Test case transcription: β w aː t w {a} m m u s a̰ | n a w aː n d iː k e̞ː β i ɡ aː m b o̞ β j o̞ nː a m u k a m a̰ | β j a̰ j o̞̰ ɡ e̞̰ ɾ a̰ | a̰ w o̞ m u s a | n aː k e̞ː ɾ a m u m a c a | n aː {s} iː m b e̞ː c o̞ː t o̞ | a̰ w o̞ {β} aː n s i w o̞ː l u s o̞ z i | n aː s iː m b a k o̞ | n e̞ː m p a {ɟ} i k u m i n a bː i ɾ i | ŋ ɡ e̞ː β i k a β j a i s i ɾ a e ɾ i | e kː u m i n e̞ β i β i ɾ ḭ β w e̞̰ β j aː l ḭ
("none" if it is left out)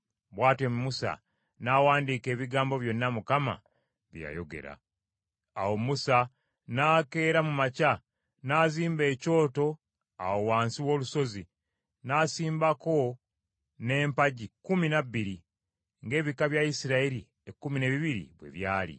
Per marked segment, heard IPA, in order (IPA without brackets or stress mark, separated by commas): e, z, w, ɟ